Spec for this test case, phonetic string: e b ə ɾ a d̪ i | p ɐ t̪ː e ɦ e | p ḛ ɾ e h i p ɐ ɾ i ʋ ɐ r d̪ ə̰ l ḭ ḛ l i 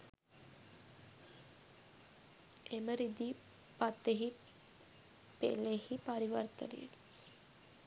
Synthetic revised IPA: e m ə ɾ i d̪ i | p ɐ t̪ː e ɦ i | p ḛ l e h i p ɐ ɾ i ʋ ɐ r t̪ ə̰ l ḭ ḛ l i

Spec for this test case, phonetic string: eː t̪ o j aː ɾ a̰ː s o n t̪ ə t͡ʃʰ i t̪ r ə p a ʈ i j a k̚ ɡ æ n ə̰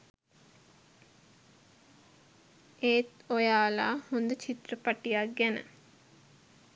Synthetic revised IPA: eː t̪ o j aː l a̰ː h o n d̪ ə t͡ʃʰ i t̪ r ə p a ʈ i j a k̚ ɡ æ n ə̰

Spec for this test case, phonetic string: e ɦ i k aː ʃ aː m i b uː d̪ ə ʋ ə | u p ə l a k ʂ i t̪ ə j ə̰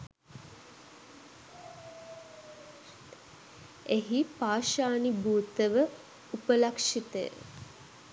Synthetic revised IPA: e ɦ i p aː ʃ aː n i b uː t̪ ə ʋ ə | u p ə l a k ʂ i t̪ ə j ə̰

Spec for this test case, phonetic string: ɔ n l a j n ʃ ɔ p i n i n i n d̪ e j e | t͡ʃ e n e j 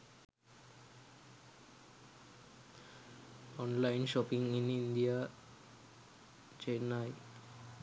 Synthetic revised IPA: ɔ n l a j n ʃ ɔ p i ŋ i n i n d̪ i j a | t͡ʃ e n a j

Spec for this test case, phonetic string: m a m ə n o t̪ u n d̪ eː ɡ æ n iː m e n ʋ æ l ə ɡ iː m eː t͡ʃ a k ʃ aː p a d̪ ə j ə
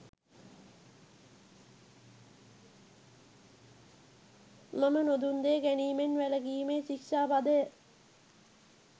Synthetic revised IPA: m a m ə n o d̪ u n d̪ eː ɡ æ n iː m e n ʋ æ l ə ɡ iː m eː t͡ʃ i k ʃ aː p a d̪ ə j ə

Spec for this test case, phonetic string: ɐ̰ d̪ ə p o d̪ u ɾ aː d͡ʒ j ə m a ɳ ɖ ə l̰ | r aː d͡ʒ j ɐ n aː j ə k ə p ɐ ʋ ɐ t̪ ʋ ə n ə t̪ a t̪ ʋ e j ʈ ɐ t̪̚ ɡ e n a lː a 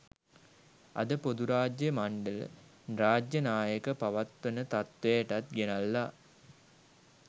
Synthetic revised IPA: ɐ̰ d̪ ə p o d̪ u ɾ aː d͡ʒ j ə m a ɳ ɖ ə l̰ | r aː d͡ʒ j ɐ n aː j ə k ə p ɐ ʋ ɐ t̪ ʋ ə n ə t̪ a t̪ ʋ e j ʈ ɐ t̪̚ ɡ e n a lː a

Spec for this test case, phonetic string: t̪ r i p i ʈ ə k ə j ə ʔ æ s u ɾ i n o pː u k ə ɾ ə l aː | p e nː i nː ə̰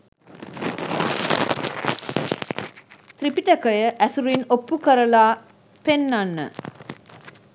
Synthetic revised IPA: t̪ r i p i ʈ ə k ə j ə ʔ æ s u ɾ i n o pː u k ə ɾ ə l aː | p e nː a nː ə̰

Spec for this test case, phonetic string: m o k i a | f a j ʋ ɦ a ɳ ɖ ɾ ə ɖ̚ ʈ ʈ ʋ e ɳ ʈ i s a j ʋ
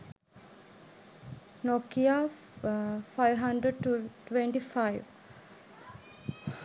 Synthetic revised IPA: n o k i a | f a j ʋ ɦ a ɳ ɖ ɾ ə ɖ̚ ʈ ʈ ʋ e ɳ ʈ i f a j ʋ

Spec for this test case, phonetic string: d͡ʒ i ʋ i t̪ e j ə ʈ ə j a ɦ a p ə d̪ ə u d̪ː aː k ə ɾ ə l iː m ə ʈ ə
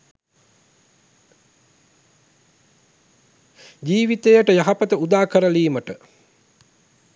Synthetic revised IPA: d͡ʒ iː ʋ i t̪ e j ə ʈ ə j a ɦ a p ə t̪ ə u d̪ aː k ə ɾ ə l iː m ə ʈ ə

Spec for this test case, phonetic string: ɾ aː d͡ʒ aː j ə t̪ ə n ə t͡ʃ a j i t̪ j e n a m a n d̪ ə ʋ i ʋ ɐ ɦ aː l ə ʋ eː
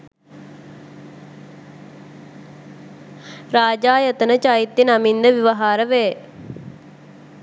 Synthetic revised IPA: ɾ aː d͡ʒ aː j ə t̪ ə n ə t͡ʃ a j i t̪ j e n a m i n d̪ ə ʋ i ʋ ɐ ɦ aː ɾ ə ʋ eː

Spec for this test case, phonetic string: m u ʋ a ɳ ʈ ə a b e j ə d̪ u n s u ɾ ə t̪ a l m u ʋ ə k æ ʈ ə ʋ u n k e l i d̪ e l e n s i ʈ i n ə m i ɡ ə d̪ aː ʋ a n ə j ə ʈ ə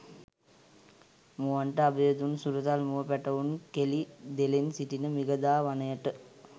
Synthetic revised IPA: m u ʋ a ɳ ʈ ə a b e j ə d̪ u n s u ɾ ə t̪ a l m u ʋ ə p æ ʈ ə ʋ u n k e l i d̪ e l e n s i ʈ i n ə m i ɡ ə d̪ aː ʋ a n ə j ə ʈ ə

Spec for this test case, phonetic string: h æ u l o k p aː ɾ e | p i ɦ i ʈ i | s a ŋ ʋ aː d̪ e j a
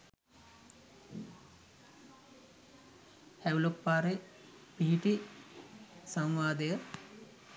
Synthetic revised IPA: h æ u l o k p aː ɾ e | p i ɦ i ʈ i | s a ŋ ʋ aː d̪ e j ə

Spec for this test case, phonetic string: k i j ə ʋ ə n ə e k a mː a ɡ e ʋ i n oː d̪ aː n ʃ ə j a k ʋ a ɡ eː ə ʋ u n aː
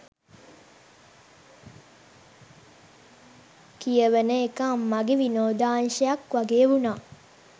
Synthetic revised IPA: k i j ə ʋ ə n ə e k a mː a ɡ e ʋ i n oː d̪ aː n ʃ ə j a k ʋ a ɡ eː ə ʋ u n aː

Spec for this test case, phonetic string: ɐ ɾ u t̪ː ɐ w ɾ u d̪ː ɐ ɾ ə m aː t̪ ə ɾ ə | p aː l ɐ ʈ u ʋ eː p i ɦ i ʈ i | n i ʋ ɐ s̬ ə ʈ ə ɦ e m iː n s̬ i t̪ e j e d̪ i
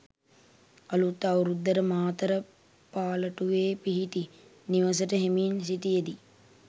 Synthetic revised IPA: ɐ l u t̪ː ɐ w ɾ u d̪ː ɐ ɾ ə m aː t̪ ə ɾ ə | p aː l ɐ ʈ u ʋ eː p i ɦ i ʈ i | n i ʋ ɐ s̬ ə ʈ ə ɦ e m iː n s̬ i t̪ i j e d̪ i

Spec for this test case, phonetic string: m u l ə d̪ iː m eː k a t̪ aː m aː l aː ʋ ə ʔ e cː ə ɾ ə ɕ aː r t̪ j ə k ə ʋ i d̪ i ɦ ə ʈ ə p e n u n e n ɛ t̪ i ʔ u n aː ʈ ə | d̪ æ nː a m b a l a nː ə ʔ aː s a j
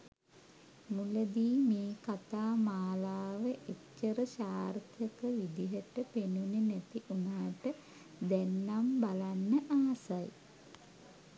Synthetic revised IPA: m u l ə d̪ iː m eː k a t̪ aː m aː l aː ʋ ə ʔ e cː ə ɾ ə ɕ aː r t̪ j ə k ə ʋ i d̪ i ɦ ə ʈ ə p e n u n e n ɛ t̪ i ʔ u n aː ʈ ə | d̪ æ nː a m b a l a nː ə ʔ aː s a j

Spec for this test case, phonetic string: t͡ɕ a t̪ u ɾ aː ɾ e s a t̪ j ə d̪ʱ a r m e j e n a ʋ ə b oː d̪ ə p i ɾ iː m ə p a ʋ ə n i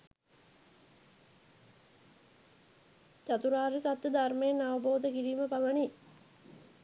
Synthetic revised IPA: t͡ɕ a t̪ u ɾ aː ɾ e s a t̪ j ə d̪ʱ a r m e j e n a ʋ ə b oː d̪ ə k i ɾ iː m ə p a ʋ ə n i

